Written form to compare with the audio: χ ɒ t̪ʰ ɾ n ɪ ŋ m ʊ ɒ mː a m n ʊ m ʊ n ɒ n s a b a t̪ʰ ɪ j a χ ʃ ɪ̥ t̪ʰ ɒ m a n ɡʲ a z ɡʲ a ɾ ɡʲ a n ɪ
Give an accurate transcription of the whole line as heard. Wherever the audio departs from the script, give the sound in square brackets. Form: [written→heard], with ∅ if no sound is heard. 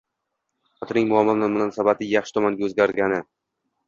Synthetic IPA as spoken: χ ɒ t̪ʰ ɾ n ɪ ŋ m ʊ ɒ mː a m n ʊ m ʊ n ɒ n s a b a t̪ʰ ɪ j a χ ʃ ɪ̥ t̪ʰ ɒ m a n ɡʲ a z ɡʲ a ɾ ɡʲ a n ɪ